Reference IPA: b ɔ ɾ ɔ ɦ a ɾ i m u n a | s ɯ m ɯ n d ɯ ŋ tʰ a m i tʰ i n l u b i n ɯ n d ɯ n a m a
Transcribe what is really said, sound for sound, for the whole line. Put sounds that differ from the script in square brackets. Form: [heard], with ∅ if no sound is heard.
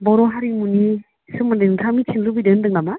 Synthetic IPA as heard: b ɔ ɾ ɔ ɦ a ɾ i m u n [i] | s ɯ m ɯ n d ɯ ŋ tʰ a m i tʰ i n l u b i [d] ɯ n d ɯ [ŋ] a m a